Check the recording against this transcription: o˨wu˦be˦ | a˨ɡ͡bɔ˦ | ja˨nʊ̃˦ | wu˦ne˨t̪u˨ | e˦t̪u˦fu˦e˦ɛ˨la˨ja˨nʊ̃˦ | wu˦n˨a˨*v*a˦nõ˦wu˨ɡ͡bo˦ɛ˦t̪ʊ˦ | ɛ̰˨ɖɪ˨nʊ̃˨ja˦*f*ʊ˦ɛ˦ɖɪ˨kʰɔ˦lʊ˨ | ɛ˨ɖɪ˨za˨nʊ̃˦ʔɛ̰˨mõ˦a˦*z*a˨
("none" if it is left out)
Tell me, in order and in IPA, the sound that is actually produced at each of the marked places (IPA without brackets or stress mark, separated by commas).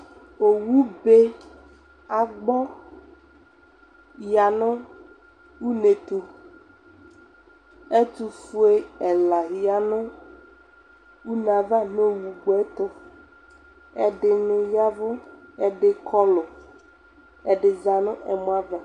v, v, v